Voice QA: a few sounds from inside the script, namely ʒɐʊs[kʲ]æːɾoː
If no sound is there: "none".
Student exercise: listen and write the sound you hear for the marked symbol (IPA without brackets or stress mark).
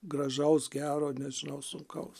ɡʲ